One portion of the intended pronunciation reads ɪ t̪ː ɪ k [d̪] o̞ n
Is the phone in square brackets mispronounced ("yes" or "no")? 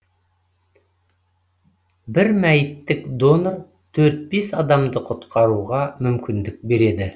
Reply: no